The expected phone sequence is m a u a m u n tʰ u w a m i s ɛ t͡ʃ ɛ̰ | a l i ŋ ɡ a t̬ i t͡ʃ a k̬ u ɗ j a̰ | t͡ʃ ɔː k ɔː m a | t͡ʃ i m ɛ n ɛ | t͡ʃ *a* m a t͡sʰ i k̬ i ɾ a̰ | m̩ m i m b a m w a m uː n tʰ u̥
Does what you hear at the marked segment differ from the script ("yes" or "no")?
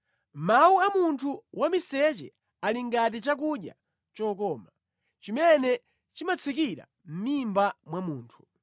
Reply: yes